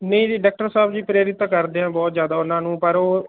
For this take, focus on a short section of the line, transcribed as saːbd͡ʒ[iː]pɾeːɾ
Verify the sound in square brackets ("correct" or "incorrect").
correct